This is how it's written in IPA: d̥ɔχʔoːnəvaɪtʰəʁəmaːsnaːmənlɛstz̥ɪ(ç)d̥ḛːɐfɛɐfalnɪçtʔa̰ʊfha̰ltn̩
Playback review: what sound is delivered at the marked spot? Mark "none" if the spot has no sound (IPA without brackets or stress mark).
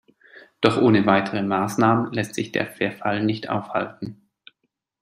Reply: ç